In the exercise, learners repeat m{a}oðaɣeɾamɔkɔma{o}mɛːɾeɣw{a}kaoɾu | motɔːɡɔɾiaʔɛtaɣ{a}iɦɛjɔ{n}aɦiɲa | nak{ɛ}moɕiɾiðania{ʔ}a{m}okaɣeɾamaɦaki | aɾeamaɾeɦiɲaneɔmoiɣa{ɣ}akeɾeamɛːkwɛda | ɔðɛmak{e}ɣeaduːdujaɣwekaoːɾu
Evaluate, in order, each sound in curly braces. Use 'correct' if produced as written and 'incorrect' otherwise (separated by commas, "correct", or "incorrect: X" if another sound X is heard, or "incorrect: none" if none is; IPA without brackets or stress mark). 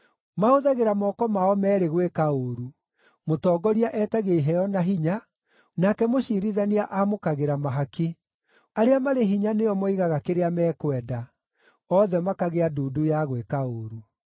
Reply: correct, incorrect: ɔ, incorrect: e, incorrect: e, correct, correct, correct, correct, correct, incorrect: a